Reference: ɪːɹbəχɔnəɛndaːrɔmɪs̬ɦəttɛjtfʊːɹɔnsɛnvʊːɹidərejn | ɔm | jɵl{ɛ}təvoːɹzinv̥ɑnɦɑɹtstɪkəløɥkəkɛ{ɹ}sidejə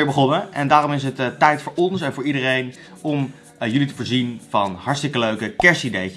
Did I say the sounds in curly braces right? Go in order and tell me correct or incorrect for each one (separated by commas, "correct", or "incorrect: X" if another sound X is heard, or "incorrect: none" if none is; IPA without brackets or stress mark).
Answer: incorrect: i, correct